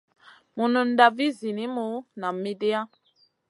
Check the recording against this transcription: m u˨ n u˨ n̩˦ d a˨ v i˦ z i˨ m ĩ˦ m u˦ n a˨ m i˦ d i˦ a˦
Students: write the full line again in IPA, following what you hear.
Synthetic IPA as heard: m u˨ n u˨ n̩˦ d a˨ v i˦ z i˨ n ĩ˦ m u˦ n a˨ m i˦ d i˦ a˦